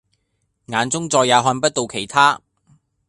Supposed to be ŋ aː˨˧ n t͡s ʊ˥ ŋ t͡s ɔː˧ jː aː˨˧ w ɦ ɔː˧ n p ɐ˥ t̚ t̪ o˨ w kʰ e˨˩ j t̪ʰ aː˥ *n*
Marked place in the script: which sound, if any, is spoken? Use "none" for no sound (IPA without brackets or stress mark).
none